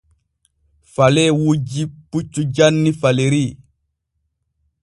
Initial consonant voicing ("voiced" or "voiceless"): voiceless